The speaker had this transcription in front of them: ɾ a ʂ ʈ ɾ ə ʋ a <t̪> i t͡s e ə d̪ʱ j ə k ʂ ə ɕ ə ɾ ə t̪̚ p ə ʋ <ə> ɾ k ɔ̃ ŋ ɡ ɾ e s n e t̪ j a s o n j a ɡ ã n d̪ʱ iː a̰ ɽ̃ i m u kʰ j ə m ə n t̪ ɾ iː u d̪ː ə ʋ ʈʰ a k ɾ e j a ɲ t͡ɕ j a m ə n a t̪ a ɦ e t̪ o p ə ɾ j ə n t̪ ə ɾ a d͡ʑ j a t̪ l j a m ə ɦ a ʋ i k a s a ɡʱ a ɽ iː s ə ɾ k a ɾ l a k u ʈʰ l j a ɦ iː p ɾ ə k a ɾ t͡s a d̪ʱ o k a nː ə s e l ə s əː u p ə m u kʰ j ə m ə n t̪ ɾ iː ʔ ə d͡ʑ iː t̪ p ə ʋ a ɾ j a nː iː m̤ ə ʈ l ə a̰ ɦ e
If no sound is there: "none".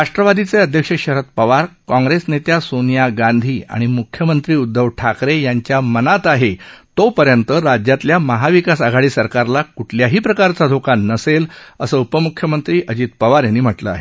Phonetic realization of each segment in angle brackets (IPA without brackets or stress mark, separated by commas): d̪, a